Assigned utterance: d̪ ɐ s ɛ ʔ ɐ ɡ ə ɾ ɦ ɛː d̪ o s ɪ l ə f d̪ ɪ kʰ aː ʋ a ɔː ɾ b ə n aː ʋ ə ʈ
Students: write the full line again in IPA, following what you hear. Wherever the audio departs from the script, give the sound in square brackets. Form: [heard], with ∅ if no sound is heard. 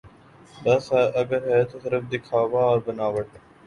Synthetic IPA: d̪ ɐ s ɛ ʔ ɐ ɡ ə ɾ ɦ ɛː [t̪] o s ɪ [ɾ] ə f d̪ ɪ kʰ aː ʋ a ɔː ɾ b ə n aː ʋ ə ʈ